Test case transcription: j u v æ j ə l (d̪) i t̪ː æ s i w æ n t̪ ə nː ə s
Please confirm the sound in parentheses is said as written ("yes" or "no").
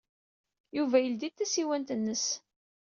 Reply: yes